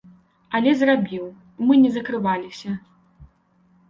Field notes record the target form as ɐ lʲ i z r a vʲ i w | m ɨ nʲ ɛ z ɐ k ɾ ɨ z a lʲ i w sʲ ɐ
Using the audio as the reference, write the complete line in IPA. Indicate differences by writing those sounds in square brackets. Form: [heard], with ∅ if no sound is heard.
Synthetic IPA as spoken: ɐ lʲ [ɛ] z r a [bʲ] i w | m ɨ nʲ ɛ z ɐ k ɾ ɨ [v] a lʲ i [∅] sʲ ɐ